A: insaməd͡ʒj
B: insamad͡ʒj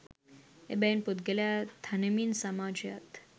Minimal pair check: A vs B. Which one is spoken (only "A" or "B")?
B